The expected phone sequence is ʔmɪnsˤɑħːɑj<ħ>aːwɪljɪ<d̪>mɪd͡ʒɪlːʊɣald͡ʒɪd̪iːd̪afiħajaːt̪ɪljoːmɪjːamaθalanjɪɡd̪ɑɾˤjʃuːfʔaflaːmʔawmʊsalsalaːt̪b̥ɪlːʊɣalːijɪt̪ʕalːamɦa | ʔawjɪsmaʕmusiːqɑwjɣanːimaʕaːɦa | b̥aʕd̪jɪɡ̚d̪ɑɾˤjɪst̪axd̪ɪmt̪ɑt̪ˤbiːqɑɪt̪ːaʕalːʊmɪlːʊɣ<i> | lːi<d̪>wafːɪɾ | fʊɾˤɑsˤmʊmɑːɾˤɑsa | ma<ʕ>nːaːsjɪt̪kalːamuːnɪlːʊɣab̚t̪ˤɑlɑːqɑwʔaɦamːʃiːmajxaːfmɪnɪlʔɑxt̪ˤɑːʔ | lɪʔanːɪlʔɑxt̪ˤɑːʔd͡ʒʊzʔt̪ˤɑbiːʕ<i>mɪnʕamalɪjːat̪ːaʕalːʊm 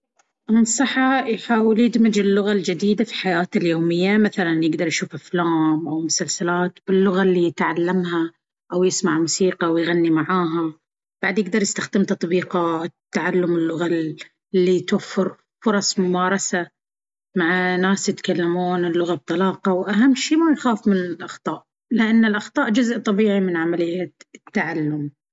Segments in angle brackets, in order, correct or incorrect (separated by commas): correct, correct, incorrect, incorrect, correct, correct